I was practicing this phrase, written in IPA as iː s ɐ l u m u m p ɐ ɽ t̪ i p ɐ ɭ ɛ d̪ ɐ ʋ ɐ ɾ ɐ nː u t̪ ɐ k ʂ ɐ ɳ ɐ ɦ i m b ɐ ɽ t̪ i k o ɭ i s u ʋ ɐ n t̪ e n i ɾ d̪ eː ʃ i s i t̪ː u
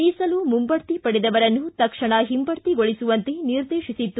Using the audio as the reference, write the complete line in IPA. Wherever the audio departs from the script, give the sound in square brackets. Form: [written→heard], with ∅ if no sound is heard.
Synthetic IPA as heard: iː s ɐ l u m u m [p→b] ɐ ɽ t̪ i p ɐ [ɭ→ɽ] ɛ d̪ ɐ ʋ ɐ ɾ ɐ nː u t̪ ɐ k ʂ ɐ ɳ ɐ ɦ i m b ɐ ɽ t̪ i [k→ɡ] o ɭ i s u ʋ ɐ n t̪ e n i ɾ d̪ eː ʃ i s i t̪ː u

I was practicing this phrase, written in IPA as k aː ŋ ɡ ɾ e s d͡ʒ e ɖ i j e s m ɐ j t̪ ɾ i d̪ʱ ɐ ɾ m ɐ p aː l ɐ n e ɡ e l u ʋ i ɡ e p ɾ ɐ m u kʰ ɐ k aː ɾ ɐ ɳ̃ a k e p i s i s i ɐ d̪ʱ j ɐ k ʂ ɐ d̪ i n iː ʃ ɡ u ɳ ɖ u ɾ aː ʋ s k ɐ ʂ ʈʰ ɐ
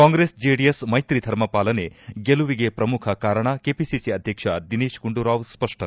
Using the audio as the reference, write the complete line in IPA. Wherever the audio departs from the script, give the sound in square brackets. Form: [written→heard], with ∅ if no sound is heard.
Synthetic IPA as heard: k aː ŋ ɡ ɾ e s d͡ʒ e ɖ i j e s m ɐ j t̪ ɾ i d̪ʱ ɐ ɾ m ɐ p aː l ɐ n e ɡ e l u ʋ i ɡ e p ɾ ɐ m u kʰ ɐ k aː ɾ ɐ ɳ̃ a k e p i s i s i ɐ d̪ʱ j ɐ k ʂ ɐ d̪ i n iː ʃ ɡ u ɳ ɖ u ɾ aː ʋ s [k→p] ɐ ʂ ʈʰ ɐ

